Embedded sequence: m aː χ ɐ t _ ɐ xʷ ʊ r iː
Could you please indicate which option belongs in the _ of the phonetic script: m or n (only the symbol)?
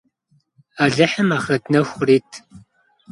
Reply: n